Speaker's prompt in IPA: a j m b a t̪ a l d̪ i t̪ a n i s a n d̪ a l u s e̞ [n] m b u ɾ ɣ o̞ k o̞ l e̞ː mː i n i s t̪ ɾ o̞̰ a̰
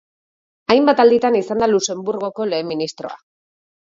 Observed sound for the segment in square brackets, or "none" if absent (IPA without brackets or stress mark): none